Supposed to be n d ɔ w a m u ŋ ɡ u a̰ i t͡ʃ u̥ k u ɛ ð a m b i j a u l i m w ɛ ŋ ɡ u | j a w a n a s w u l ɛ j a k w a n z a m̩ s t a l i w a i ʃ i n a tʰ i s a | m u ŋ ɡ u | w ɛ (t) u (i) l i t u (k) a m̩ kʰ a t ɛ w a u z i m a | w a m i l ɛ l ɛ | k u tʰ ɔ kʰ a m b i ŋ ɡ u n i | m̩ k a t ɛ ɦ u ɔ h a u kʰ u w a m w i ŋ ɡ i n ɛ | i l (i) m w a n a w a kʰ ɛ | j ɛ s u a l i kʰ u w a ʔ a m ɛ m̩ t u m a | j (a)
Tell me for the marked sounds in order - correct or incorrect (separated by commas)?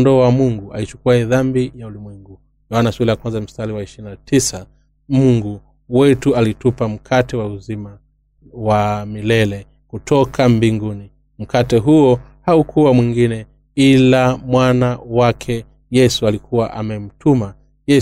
correct, incorrect, incorrect, incorrect, incorrect